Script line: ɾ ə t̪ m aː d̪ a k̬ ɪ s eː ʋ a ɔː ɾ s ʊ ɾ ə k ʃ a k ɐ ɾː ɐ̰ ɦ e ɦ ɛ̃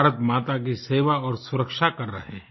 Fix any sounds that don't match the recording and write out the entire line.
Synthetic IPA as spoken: ɾ ə t̪ m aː t̪ a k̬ i s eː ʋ a ɔː ɾ s ʊ ɾ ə k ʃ a k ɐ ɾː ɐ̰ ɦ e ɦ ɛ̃